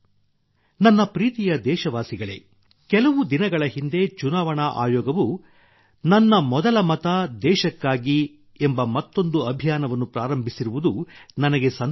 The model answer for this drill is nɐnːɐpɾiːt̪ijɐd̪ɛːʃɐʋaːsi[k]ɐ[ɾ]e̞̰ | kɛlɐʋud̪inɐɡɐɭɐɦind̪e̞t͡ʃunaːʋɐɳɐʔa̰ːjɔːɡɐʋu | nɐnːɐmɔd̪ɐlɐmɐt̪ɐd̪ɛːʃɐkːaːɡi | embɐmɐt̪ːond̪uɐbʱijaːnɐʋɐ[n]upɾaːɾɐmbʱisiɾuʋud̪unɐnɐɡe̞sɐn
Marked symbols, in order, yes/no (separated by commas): no, no, no